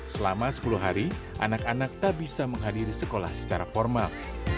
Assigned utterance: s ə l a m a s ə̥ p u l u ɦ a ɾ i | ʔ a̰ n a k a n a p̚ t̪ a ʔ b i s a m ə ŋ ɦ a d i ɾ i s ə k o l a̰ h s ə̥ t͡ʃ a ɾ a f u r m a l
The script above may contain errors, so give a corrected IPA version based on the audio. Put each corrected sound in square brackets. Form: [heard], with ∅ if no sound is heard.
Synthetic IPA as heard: s ə l a m a s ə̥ p u l u ɦ a ɾ i | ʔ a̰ n a k a n a [k̚] t̪ a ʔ b i s a m ə ŋ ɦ a d i ɾ i s ə k o l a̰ h s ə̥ t͡ʃ a ɾ a f [ɔ] r m a l